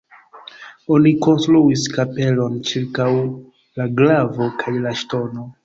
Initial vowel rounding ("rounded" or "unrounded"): rounded